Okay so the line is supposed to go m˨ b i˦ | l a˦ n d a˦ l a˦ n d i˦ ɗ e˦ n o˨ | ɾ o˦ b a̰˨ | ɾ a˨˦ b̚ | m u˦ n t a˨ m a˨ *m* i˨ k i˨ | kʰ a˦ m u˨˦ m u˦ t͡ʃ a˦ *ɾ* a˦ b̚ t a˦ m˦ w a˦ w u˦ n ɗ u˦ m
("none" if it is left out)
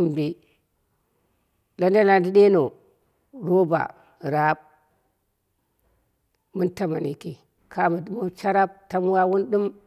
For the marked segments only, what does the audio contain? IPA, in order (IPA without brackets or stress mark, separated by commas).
n, ɾ